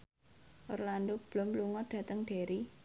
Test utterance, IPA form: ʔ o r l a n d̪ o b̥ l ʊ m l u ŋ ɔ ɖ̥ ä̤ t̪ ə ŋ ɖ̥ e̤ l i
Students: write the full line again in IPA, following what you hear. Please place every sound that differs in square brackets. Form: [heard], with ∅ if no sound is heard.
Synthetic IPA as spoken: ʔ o r l a n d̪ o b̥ l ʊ m l u ŋ ɔ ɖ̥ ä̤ t̪ ə ŋ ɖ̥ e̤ [ɾ] i

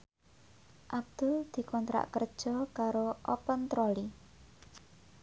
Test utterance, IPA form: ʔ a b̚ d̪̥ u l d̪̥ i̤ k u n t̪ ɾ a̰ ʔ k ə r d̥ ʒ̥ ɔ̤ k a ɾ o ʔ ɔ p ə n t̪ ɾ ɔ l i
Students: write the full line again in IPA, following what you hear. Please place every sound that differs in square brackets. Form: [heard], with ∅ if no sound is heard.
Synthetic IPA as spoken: ʔ a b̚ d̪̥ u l d̪̥ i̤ k [ɔ] n t̪ ɾ a̰ ʔ k ə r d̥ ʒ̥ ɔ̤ k a ɾ o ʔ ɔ p ə n t̪ ɾ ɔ l i

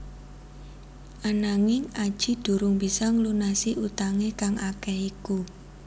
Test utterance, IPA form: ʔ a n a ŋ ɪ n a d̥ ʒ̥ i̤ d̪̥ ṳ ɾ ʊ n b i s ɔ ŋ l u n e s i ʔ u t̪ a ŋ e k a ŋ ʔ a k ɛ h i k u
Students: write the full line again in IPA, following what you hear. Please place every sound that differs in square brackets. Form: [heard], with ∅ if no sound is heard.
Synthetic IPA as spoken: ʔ a n a ŋ ɪ [ŋ] a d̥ ʒ̥ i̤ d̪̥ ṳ ɾ ʊ [ŋ] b i s ɔ ŋ l u n [a] s i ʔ u t̪ a ŋ e k a ŋ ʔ a k ɛ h i k u

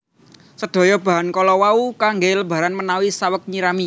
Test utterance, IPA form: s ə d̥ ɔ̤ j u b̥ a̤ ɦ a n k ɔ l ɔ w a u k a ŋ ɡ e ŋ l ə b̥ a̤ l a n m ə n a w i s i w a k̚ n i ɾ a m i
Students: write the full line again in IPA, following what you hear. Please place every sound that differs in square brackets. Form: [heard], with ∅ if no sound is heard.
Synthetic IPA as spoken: s ə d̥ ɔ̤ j [ɔ] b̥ a̤ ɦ a n k ɔ l ɔ w a u k a ŋ ɡ e [∅] l ə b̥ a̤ [ɾ] a n m ə n a w i s [a] w [ə] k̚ [ɲ] i ɾ a m i

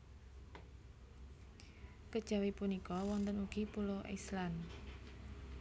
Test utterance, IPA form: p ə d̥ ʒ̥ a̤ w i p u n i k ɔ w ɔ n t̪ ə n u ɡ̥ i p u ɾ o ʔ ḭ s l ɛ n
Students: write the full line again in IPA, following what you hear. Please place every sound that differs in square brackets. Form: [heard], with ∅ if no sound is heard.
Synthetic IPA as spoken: [k] ə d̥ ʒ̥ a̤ w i p u n i k ɔ w ɔ n t̪ ə n u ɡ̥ i p u [l] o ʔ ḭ s l [a] n

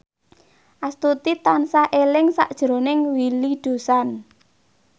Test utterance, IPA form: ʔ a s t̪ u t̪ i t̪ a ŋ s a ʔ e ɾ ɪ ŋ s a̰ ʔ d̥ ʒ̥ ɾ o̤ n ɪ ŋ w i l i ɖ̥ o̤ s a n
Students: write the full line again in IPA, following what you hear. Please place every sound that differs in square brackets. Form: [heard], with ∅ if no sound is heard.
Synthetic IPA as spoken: ʔ a s t̪ u t̪ i t̪ a [n] s a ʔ e [l] ɪ ŋ s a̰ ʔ d̥ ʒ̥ ɾ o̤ n ɪ ŋ w i l i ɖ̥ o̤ s a n

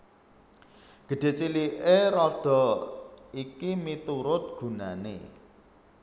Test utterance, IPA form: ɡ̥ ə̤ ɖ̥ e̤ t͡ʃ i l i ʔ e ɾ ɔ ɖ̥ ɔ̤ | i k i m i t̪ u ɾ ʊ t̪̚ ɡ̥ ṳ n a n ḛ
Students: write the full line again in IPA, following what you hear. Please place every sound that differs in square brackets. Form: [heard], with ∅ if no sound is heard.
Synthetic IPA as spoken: ɡ̥ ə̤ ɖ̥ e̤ t͡ʃ i l i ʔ e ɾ ɔ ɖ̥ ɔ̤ | i k i m i t̪ u ɾ ʊ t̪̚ ɡ̥ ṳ n a n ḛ

